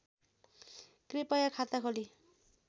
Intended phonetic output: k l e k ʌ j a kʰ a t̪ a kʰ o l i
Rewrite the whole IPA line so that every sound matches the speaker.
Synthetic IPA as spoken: k r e p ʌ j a kʰ a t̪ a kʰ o l i